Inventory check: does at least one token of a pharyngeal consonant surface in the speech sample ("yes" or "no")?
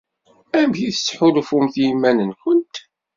yes